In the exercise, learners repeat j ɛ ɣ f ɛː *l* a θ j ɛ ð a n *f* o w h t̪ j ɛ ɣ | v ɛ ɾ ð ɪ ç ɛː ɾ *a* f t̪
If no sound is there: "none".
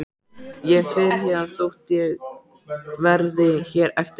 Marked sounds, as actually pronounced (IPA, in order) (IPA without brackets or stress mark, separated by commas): ɾ, θ, ɛ